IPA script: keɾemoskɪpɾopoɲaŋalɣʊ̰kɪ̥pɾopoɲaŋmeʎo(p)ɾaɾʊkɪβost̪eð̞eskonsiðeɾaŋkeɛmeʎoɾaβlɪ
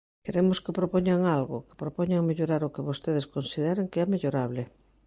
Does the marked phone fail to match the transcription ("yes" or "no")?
yes